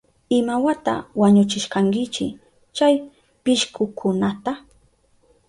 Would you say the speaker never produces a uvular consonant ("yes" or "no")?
yes